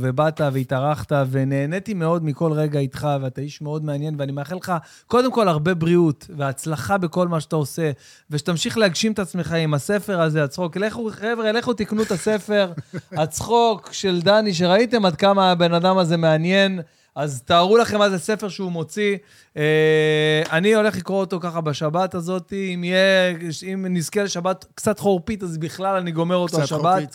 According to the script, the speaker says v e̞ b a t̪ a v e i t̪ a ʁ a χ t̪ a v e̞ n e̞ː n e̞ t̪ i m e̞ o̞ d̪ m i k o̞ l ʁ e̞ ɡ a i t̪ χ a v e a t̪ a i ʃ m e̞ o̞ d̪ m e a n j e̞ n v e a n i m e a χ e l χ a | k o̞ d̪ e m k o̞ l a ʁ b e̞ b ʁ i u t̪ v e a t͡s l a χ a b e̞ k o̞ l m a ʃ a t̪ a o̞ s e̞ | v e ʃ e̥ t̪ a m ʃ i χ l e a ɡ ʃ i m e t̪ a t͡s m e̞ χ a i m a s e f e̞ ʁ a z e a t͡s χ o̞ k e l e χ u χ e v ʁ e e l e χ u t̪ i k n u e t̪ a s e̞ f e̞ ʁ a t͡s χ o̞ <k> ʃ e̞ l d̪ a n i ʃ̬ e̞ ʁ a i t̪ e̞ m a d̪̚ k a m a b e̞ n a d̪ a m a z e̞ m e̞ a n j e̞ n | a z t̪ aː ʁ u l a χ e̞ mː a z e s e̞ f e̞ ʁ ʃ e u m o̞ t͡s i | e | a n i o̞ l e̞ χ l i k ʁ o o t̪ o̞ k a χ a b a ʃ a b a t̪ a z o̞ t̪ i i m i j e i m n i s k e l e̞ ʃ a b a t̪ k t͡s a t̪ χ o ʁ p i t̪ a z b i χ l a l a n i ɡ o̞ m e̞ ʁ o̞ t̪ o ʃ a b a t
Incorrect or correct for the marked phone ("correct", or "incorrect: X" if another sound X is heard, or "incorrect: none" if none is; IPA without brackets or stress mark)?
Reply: correct